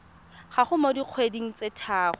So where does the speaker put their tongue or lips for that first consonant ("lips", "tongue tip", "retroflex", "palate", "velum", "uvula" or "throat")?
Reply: uvula